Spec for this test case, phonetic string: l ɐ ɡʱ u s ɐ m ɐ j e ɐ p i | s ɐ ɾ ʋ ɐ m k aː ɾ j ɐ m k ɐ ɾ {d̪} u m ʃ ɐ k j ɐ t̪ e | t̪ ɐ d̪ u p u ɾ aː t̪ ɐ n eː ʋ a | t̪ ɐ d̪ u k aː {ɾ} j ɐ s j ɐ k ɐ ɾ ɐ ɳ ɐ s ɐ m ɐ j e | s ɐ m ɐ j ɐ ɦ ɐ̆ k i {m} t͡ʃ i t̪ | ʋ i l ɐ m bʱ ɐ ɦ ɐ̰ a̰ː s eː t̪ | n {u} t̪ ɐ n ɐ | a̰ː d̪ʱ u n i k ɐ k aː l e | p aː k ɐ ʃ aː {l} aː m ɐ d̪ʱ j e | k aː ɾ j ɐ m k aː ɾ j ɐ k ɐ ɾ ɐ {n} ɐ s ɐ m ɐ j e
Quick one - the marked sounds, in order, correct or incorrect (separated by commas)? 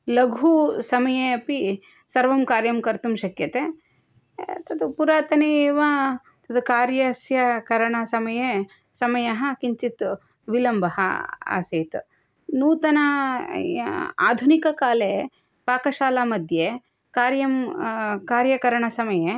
incorrect, correct, incorrect, incorrect, correct, incorrect